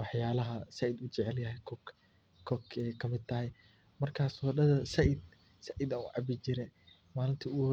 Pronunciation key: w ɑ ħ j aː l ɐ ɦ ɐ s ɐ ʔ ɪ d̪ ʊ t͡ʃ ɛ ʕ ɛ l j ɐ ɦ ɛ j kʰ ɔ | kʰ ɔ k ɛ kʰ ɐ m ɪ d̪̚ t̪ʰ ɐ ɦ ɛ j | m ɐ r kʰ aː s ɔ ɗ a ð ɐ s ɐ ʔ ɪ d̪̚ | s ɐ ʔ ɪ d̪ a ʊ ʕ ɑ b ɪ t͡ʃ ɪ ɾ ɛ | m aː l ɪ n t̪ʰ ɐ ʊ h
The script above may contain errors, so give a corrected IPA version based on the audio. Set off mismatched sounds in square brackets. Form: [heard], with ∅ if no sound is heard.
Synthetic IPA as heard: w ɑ ħ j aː l ɐ ɦ ɐ s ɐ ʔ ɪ d̪ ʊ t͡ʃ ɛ ʕ ɛ l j ɐ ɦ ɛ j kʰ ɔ | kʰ ɔ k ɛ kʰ ɐ m ɪ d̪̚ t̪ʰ ɐ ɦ ɛ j | m ɐ r kʰ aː s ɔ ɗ [ɐ] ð ɐ s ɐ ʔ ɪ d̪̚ | s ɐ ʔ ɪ d̪ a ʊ ʕ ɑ b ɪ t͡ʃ ɪ ɾ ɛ | m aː l ɪ n t̪ʰ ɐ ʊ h